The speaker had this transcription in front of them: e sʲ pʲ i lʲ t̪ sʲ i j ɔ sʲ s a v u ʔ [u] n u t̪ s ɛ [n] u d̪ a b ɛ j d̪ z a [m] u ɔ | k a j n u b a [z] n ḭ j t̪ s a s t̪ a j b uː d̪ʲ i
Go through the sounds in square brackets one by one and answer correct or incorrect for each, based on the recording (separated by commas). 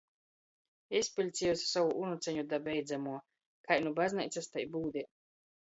correct, incorrect, correct, correct